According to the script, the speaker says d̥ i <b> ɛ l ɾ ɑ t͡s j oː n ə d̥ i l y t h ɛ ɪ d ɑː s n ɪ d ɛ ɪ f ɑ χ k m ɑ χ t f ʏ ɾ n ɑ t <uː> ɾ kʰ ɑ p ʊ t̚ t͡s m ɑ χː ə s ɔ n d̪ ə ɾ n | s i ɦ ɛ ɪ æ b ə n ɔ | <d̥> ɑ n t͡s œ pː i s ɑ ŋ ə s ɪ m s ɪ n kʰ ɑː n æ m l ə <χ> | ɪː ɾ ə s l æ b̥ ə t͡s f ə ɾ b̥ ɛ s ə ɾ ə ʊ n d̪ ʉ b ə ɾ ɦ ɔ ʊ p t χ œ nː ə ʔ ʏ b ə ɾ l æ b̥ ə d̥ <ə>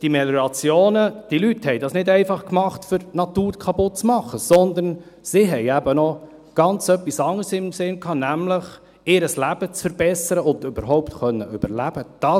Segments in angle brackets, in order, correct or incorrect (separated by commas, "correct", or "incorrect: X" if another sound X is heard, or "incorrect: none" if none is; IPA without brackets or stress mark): incorrect: m, correct, incorrect: ɡ̥, correct, incorrect: ɑ